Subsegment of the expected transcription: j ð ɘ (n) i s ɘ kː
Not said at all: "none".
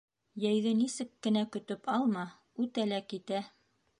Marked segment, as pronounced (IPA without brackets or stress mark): n